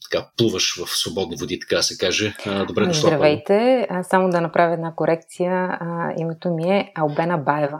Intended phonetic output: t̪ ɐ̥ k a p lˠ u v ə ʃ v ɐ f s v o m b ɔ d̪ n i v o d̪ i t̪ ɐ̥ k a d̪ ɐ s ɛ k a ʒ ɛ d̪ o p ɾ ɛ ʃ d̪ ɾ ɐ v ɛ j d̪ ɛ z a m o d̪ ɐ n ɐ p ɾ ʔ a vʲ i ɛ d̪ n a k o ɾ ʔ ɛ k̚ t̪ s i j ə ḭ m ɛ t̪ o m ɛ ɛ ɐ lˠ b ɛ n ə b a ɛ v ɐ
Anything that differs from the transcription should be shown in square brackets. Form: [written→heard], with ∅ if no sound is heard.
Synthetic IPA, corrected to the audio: t̪ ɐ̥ k a p lˠ u v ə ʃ v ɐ f s v o [m→∅] b ɔ d̪ n i v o d̪ i t̪ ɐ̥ k a d̪ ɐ s ɛ k a ʒ ɛ d̪ o [p→b] ɾ ɛ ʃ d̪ ɾ ɐ v ɛ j [d̪→t̪] ɛ [z→s] a m o d̪ ɐ n ɐ p ɾ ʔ a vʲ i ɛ d̪ n a k o ɾ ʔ ɛ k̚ t̪ s i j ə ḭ m ɛ t̪ o m [ɛ→i] ɛ ɐ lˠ b ɛ n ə b a ɛ v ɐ